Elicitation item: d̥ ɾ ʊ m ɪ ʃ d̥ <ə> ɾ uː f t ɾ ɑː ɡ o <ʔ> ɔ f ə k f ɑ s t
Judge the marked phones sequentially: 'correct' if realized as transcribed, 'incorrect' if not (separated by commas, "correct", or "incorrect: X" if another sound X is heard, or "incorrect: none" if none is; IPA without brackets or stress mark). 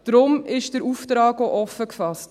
correct, correct